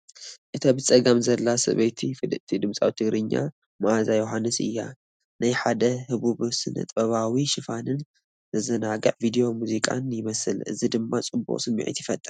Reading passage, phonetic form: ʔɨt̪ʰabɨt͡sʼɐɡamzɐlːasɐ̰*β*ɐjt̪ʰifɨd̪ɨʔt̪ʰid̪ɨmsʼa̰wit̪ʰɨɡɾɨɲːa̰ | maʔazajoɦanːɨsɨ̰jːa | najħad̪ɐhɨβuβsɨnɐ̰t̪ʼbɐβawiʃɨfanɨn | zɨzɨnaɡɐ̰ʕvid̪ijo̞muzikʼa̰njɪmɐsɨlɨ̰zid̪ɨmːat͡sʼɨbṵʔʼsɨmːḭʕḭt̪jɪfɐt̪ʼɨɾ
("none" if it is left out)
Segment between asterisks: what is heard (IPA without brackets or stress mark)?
β